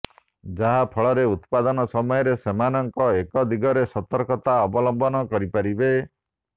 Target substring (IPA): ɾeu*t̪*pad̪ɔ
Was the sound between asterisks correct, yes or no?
yes